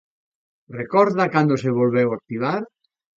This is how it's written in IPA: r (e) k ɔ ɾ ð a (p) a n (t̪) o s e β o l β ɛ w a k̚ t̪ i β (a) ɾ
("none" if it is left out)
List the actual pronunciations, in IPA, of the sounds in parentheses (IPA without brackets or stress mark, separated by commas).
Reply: e, k, d̪, a